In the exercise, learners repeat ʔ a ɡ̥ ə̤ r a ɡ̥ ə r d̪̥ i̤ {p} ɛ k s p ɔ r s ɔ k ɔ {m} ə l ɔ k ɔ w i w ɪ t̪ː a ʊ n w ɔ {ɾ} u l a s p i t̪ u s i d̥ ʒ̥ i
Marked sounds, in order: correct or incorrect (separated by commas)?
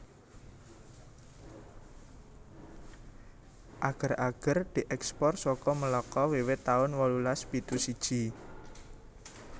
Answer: incorrect, correct, incorrect